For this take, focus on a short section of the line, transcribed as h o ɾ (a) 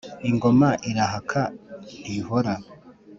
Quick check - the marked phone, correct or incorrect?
correct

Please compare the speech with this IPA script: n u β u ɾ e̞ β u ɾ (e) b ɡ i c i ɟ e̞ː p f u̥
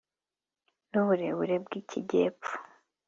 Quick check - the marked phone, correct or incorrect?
correct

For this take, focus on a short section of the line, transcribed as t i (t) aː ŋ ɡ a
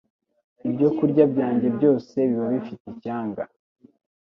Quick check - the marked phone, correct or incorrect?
incorrect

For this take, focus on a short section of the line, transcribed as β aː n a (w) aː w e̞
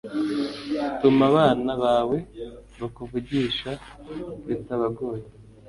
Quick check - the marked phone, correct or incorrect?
incorrect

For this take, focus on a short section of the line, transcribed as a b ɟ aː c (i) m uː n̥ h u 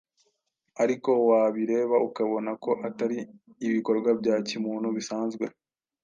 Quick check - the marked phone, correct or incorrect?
correct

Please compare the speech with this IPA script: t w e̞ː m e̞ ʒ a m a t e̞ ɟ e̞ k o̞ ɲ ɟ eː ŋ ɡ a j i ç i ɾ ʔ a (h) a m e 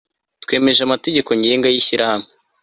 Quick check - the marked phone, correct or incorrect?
correct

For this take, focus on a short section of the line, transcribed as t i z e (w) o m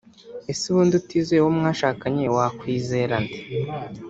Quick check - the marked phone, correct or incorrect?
correct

